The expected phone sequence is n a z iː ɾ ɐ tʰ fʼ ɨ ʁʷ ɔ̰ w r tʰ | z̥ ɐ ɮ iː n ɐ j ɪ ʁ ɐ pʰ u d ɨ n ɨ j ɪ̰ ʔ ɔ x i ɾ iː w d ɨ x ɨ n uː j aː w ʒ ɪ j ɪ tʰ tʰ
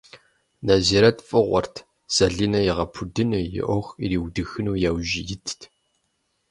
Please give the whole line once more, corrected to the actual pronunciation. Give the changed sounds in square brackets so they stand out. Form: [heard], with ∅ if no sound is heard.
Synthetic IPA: n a z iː ɾ ɐ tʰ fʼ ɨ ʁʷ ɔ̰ [∅] r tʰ | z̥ ɐ ɮ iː n ɐ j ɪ ʁ ɐ pʰ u d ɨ n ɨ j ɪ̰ ʔ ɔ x i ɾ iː w d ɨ x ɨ n uː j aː w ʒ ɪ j ɪ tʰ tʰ